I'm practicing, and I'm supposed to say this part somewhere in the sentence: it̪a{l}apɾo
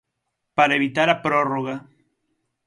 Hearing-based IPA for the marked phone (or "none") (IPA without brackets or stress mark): ɾ